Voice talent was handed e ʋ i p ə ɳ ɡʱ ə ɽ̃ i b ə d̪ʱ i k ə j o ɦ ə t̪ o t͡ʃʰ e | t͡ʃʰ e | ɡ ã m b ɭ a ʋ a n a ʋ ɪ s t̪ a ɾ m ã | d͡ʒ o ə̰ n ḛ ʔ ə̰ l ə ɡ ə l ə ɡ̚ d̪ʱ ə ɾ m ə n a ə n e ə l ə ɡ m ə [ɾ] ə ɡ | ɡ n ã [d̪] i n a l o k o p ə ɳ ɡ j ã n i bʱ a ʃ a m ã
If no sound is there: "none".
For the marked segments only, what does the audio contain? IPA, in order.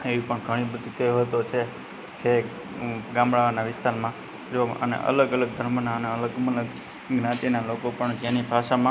l, t̪

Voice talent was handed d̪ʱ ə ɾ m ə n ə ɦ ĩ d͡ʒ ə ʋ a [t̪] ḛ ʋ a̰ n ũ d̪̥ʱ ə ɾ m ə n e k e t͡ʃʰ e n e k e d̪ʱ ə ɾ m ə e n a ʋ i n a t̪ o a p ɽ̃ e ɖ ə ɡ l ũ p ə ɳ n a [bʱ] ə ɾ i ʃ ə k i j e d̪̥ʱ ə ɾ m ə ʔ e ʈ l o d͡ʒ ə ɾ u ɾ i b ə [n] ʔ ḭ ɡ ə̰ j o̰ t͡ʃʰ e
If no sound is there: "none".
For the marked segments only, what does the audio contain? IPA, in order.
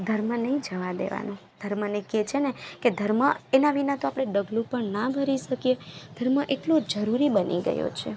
d̪, bʱ, n

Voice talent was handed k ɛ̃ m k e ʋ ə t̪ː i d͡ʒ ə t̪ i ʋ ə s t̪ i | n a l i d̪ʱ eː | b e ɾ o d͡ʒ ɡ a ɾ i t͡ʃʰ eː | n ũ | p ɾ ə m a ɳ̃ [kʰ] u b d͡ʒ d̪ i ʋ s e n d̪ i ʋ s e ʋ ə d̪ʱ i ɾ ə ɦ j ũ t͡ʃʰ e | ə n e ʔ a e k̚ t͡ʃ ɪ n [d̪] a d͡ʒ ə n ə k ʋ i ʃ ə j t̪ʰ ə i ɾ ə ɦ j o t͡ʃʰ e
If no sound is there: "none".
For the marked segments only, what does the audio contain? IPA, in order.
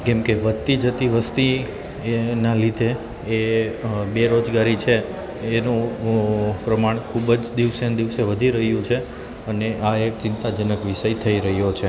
kʰ, t̪

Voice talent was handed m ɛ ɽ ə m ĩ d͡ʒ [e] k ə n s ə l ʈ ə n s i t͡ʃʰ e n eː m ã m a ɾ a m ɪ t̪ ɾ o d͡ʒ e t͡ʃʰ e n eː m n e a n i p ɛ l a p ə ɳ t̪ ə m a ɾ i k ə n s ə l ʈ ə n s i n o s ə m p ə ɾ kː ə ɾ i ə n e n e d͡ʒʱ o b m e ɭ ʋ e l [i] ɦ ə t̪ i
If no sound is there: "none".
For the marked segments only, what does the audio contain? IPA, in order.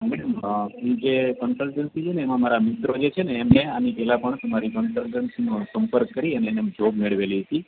e, i

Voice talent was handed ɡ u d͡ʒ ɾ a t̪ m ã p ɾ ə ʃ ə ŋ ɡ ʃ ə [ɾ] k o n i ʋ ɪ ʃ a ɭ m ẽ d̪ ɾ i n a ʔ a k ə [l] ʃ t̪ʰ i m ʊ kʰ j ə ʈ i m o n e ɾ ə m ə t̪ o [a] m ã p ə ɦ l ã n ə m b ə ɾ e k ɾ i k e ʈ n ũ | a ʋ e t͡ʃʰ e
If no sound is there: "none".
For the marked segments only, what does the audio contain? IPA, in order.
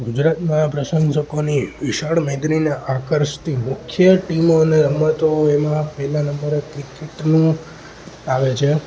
none, ɾ, e

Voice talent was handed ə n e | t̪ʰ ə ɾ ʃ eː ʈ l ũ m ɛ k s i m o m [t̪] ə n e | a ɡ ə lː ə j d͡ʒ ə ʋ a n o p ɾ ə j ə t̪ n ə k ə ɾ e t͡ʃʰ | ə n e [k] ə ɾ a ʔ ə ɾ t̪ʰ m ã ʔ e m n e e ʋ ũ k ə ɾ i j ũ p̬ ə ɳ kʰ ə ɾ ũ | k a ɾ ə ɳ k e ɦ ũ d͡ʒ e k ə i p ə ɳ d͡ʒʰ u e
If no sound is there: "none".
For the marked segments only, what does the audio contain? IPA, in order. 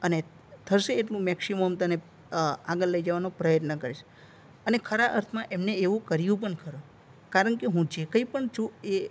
t̪, kʰ

